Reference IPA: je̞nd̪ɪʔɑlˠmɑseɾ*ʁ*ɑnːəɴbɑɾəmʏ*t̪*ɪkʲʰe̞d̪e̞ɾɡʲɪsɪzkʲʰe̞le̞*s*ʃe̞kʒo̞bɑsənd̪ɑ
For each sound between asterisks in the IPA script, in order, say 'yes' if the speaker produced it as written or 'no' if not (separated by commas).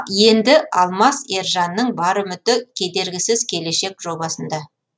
no, yes, no